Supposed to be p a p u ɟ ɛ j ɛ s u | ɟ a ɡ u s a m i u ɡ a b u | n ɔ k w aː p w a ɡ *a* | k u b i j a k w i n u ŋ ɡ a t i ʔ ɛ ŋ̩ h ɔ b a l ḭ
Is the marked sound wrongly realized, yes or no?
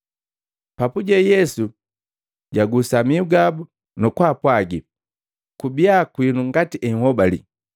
yes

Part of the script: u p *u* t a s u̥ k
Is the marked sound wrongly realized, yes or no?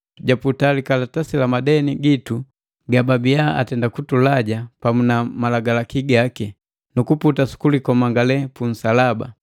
no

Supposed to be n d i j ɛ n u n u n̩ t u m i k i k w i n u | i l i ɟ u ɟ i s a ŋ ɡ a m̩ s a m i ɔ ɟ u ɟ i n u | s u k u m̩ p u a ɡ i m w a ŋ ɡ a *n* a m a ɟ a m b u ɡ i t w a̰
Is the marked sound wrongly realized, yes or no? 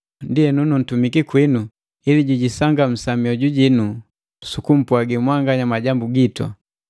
yes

